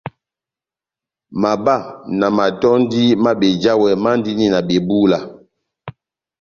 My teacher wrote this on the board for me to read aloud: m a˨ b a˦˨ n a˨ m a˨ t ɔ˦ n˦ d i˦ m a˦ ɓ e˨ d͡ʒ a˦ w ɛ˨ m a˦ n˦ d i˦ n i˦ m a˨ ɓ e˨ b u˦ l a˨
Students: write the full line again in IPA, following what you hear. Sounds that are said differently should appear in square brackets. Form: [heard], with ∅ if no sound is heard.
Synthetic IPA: m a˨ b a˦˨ n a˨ m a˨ t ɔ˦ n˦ d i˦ m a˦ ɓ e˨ d͡ʒ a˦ w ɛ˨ m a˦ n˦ d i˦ n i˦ [n] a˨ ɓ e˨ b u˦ l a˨

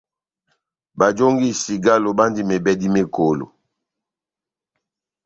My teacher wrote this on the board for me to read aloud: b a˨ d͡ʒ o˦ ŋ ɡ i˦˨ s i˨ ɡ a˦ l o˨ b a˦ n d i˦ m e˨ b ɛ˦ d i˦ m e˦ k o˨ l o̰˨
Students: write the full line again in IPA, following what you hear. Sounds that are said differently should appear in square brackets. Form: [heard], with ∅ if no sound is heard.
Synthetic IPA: b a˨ d͡ʒ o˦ ŋ ɡ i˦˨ s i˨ ɡ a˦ l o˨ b a˦ n d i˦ m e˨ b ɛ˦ d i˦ m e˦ k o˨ l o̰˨

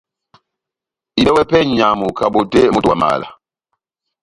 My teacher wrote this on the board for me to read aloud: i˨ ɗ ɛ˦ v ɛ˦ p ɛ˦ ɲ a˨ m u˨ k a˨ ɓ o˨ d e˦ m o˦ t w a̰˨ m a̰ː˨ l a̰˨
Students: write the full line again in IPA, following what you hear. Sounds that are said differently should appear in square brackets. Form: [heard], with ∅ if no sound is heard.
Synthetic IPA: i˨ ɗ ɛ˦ [w] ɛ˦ p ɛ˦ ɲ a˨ m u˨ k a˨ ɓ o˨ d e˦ m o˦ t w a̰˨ m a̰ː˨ l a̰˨

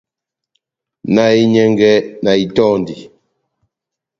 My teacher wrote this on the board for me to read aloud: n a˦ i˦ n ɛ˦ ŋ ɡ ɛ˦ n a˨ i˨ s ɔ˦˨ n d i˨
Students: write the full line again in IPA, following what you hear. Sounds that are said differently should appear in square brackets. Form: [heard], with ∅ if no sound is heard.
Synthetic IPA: n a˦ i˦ [ɲ] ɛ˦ ŋ ɡ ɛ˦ n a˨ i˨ [t] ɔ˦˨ n d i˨

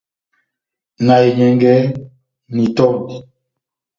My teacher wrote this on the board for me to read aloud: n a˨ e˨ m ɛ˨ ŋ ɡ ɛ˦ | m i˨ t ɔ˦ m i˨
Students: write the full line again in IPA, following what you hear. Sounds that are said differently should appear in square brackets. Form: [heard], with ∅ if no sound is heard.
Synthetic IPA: n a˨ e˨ [ɲ] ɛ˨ ŋ ɡ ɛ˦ | [n] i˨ t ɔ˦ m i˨

